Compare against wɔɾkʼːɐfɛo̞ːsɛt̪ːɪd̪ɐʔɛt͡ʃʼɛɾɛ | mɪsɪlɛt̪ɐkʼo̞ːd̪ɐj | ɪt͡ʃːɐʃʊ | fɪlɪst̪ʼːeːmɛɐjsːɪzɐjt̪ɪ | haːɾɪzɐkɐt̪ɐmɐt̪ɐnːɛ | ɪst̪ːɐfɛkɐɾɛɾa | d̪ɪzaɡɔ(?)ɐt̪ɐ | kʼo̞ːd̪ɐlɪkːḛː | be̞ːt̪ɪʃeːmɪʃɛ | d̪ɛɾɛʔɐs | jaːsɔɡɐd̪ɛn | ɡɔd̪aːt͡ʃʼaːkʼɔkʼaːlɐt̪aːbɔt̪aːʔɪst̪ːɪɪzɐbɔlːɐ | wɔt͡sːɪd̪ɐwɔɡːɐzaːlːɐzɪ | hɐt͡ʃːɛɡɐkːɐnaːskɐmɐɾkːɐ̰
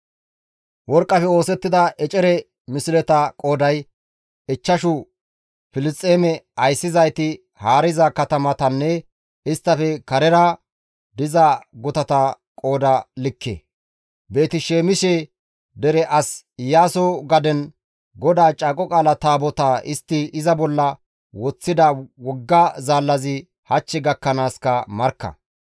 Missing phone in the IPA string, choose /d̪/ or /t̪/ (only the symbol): t̪